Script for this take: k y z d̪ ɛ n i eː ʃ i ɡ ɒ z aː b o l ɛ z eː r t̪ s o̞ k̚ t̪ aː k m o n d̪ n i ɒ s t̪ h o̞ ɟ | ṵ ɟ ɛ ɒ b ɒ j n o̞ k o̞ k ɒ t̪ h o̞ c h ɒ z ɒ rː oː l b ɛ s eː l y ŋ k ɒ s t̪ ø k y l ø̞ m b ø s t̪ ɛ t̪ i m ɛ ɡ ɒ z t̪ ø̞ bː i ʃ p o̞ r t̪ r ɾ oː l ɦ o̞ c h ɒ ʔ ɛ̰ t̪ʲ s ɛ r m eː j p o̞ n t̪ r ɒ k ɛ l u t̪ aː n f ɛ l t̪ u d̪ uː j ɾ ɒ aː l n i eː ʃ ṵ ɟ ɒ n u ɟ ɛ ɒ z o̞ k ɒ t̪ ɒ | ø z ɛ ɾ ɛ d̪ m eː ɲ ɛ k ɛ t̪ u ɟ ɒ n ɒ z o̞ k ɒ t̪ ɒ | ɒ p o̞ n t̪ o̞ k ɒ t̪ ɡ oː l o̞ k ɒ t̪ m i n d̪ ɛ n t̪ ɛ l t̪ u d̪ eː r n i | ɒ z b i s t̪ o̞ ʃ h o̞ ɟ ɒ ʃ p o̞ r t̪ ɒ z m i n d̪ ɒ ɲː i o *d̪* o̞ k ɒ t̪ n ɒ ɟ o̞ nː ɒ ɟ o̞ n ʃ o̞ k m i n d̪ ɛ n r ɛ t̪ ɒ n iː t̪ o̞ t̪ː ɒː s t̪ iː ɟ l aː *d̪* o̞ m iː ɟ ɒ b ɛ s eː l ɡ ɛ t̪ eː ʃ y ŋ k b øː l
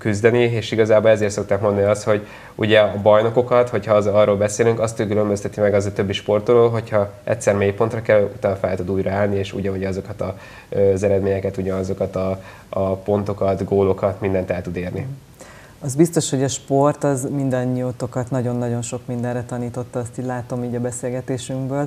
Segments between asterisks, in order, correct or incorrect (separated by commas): incorrect, incorrect